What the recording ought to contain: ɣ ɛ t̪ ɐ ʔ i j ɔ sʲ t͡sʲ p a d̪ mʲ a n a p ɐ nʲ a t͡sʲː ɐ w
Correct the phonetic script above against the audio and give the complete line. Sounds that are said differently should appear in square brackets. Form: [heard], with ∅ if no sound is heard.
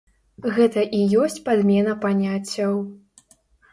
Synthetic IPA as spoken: ɣ ɛ t̪ ɐ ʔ i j ɔ sʲ t͡sʲ p a d̪ mʲ [ɛ] n [ɐ] p [a] nʲ a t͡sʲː ɐ w